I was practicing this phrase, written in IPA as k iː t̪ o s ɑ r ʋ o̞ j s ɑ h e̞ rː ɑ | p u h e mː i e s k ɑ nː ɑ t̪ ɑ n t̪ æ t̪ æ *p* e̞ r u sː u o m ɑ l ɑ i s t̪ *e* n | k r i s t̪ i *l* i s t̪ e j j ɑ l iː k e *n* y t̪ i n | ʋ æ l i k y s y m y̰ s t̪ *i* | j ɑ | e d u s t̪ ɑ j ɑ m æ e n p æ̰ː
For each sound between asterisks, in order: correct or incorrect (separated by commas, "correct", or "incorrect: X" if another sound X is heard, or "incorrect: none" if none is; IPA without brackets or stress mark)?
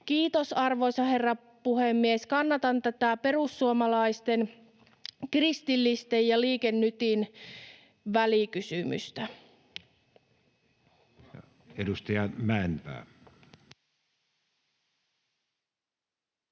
correct, correct, incorrect: lː, incorrect: nː, incorrect: æ